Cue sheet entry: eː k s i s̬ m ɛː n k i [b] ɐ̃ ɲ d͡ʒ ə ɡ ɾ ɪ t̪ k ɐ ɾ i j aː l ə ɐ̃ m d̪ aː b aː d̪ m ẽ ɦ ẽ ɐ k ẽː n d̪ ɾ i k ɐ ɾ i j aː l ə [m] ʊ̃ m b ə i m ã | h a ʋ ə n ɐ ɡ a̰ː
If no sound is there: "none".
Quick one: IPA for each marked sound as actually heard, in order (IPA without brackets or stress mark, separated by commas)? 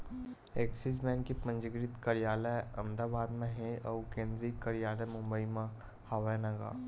p, m